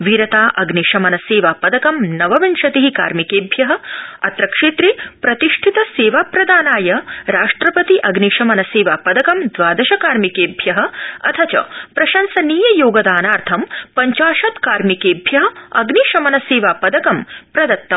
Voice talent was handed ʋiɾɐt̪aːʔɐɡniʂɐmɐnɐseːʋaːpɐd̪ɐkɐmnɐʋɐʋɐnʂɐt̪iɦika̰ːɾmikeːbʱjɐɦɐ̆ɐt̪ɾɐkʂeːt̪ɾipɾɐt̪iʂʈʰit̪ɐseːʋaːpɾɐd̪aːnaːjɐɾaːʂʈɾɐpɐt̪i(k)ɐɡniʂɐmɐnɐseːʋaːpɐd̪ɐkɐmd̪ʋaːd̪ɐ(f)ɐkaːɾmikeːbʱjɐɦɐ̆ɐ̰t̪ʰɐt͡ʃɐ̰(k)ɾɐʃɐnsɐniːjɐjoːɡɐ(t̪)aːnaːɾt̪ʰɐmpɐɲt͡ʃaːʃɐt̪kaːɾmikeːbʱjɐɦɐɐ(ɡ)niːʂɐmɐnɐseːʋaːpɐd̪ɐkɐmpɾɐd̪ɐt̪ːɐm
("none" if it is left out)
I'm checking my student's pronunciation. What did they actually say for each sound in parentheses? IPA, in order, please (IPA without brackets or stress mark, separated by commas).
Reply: ʔ, ʃ, p, d̪, ɡ